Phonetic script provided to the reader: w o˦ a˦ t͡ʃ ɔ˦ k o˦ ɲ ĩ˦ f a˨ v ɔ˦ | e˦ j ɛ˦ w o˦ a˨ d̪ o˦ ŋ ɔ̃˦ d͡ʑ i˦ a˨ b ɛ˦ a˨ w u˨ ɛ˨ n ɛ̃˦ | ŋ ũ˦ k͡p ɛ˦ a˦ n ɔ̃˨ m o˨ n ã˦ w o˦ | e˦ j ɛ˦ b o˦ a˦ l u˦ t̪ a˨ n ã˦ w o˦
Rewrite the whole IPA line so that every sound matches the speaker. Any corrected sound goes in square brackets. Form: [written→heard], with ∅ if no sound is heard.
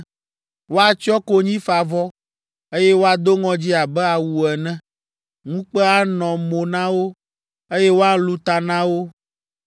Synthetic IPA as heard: w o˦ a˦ t͡ʃ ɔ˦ k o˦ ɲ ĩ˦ f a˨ v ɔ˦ | e˦ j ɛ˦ w o˦ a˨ d̪ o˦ ŋ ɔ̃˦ d͡ʑ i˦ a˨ b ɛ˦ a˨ w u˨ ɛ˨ n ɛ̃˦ | ŋ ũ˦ k͡p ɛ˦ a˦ n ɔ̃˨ m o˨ n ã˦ w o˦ | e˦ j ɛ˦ [b→w] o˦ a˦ l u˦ t̪ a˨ n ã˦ w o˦